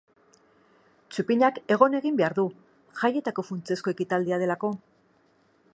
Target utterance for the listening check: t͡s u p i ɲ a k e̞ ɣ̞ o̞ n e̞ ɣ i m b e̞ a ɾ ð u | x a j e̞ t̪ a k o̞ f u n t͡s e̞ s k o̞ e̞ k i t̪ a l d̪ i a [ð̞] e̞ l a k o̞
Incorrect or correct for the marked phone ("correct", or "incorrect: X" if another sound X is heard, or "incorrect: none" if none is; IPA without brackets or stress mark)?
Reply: correct